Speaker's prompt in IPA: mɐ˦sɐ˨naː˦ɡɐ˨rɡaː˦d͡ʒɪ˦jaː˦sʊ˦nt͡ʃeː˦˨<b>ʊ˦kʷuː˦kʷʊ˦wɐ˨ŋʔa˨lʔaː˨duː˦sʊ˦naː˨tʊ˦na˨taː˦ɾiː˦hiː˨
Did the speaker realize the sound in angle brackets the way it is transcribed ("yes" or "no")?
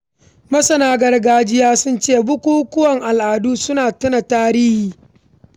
yes